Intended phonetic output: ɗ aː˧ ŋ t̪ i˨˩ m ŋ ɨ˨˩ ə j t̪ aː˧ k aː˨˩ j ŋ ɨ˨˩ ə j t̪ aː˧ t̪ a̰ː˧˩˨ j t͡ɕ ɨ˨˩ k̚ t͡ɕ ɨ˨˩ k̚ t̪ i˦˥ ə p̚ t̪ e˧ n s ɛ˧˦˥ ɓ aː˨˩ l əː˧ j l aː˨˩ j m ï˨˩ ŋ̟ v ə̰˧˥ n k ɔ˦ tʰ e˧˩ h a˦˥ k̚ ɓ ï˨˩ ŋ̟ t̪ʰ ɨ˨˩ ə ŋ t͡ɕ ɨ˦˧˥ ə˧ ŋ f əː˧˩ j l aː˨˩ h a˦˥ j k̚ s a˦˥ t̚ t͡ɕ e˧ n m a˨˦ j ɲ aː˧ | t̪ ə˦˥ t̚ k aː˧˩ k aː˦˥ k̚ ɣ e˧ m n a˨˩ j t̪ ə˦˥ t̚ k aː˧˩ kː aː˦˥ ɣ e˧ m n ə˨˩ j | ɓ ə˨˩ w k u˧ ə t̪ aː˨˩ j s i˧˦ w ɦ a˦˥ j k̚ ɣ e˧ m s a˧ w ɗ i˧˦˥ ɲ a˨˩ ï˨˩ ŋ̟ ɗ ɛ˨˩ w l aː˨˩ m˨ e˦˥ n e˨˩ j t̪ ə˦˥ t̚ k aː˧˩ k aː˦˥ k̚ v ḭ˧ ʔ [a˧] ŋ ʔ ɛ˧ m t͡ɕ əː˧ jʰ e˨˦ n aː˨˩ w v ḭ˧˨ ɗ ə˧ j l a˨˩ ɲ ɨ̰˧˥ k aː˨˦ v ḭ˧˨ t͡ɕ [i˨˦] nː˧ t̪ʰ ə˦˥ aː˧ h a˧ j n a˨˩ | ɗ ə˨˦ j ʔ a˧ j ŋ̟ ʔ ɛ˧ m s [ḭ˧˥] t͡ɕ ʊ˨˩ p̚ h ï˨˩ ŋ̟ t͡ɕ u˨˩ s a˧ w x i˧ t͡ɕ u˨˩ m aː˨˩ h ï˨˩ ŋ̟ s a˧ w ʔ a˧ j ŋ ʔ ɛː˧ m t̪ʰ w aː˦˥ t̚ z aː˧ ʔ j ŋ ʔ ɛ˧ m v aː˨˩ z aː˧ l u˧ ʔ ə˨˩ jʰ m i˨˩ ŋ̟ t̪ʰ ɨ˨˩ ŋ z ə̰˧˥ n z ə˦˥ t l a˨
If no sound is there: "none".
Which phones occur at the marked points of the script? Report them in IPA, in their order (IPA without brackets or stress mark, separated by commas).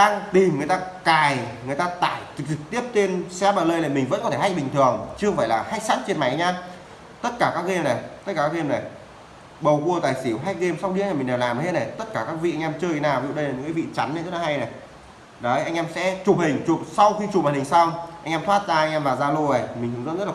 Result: a˧, a˨˦, ɛ̰˧˥